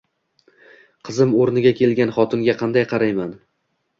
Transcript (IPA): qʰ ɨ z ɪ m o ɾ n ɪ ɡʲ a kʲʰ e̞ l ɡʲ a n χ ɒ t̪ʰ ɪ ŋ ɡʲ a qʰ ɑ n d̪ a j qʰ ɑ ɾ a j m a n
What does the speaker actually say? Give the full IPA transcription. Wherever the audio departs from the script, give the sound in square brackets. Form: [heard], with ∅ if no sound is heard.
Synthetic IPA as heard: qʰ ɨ z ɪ m o ɾ n ɪ ɡʲ a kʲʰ e̞ l ɡʲ a n χ ɒ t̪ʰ ɪ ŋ ɡʲ a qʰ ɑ n d̪ a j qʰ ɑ ɾ a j m a n